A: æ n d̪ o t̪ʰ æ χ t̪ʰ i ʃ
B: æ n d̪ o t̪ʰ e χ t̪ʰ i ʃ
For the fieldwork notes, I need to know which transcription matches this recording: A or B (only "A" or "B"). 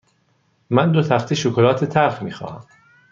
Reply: A